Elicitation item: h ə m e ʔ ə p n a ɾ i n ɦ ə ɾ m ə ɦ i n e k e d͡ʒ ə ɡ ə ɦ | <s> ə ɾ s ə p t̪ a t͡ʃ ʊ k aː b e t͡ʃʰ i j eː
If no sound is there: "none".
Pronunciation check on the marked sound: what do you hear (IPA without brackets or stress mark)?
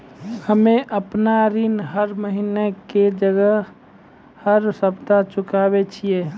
h